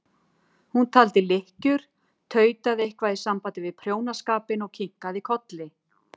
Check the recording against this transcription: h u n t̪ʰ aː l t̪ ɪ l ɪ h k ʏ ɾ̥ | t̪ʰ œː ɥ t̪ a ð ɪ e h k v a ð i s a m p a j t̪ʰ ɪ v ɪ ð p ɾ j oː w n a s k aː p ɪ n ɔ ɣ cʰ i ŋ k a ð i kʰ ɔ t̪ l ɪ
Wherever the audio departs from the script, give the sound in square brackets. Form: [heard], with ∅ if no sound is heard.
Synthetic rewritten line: h u n t̪ʰ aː l t̪ ɪ l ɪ h [c] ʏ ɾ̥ | t̪ʰ œː ɥ t̪ a ð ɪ e h k v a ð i s a m p a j [t̪] ɪ v ɪ ð [pʰ] ɾ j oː w n a s k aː p ɪ n ɔ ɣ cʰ i ŋ k a ð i kʰ ɔ t̪ l ɪ